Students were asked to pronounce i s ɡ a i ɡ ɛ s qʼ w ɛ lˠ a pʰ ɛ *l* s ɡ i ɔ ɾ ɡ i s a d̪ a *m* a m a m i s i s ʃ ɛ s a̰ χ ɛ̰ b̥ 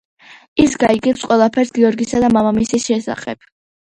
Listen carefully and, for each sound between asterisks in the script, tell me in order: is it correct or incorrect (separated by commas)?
incorrect, correct